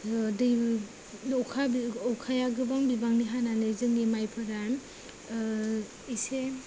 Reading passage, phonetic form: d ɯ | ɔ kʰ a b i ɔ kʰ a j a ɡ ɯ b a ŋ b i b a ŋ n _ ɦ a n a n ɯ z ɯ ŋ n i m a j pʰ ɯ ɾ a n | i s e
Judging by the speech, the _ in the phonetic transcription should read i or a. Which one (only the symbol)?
i